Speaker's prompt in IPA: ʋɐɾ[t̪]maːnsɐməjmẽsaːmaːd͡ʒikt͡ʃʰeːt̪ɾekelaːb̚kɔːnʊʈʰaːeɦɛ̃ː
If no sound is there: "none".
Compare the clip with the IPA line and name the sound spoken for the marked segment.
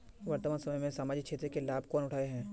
t̪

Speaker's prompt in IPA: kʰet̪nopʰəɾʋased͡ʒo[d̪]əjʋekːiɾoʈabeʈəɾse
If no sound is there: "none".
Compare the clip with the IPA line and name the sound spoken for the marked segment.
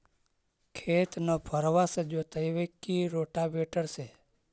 t̪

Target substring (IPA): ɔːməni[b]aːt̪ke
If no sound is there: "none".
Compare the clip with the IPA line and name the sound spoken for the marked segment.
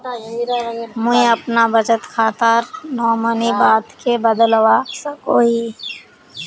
b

